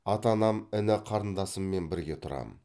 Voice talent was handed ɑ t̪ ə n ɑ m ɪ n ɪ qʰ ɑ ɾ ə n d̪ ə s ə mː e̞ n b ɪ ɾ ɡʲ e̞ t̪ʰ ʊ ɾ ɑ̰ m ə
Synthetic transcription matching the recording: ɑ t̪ ɑ n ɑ m ɪ n ɪ qʰ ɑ ɾ ə n d̪ ɑ s ə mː e̞ n b ɪ ɾ ɡʲ e̞ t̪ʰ ʊ ɾ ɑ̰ m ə